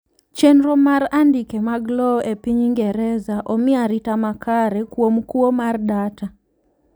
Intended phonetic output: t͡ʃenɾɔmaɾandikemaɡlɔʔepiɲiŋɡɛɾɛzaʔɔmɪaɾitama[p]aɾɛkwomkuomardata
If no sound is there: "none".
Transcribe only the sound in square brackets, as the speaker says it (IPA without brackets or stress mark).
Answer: k